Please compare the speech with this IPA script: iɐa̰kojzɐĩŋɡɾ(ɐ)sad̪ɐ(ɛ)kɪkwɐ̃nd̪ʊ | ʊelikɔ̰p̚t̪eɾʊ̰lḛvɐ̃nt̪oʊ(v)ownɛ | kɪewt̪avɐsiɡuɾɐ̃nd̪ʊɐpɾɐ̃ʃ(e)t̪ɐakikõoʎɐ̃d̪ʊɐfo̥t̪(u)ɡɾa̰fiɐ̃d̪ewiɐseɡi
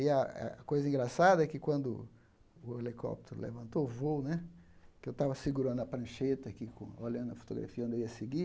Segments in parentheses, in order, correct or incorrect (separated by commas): incorrect, correct, correct, correct, incorrect